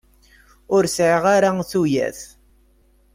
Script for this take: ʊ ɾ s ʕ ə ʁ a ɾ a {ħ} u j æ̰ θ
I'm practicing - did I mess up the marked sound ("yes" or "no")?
yes